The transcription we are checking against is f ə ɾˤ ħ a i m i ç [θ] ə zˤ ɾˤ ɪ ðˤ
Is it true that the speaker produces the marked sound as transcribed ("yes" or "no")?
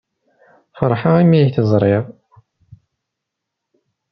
yes